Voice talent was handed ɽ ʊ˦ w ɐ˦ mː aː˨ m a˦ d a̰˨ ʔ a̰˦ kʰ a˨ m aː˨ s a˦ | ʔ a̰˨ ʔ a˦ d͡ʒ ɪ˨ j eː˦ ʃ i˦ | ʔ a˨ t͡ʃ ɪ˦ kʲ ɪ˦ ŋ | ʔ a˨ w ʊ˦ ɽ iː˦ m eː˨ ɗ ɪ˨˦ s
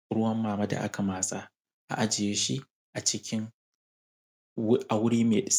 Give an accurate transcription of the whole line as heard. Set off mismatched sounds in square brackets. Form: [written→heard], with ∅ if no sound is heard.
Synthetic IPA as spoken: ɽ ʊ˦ w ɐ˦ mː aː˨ m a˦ d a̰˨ ʔ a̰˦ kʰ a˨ m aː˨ s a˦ | ʔ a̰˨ ʔ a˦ d͡ʒ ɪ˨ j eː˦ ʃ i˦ | ʔ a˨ t͡ʃ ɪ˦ kʲ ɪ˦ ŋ | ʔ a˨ w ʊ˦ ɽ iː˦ m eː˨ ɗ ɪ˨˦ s